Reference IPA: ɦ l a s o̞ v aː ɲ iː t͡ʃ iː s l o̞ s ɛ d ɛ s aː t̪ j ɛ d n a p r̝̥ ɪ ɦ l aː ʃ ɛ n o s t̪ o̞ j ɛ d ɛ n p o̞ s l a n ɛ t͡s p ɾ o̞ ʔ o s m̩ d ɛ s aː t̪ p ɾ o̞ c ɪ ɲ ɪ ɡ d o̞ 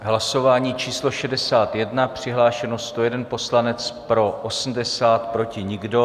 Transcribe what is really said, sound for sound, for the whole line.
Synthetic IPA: ɦ l a s o̞ v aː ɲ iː t͡ʃ iː s l o̞ ʃ ɛ d ɛ s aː t̪ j ɛ d n a p r̝̥ ɪ ɦ l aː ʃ ɛ n o s t̪ o̞ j ɛ d ɛ n p o̞ s l a n ɛ t͡s p ɾ o̞ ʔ o s m̩ d ɛ s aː t̪ p ɾ o̞ c ɪ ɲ ɪ ɡ d o̞